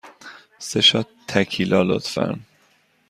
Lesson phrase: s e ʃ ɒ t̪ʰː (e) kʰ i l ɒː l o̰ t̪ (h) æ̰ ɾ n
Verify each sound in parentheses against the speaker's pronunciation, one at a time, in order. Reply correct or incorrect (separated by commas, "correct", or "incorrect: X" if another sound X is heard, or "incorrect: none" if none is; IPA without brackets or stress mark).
incorrect: æ, incorrect: f